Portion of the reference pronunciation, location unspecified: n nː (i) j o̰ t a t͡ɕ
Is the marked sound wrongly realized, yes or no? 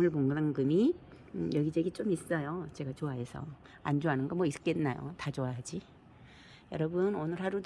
yes